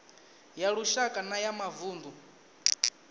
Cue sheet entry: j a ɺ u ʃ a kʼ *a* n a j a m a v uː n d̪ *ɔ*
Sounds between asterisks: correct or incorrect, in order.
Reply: correct, incorrect: u

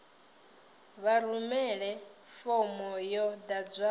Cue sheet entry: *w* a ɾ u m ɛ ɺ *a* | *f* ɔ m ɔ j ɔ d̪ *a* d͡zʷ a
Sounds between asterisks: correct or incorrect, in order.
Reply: incorrect: β, incorrect: ɛ, correct, correct

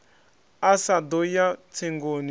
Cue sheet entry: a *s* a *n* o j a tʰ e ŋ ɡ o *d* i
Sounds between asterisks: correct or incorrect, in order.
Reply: correct, incorrect: d, incorrect: n

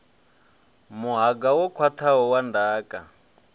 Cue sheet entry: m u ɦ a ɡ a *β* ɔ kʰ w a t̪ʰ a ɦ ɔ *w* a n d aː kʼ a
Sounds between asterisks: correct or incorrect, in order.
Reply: incorrect: w, correct

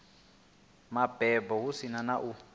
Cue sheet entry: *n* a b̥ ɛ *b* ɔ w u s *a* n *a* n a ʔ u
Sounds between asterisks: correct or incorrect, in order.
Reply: incorrect: m, correct, incorrect: i, correct

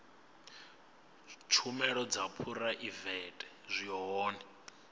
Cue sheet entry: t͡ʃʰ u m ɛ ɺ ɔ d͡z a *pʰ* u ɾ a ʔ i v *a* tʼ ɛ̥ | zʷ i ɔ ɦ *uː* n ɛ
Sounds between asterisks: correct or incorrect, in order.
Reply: correct, incorrect: ɛ, incorrect: ɔː

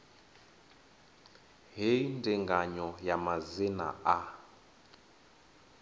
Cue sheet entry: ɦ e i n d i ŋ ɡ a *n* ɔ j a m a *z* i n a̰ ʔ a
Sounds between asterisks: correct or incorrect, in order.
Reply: incorrect: ɲ, correct

